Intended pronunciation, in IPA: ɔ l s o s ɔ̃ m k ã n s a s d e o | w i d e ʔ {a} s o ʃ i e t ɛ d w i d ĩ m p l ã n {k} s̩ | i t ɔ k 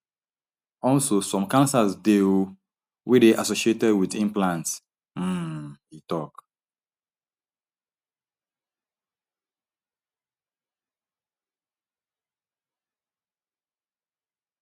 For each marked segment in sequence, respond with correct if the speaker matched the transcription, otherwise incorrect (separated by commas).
correct, incorrect